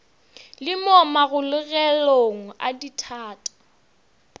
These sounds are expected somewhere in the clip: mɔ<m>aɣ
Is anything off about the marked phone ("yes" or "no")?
no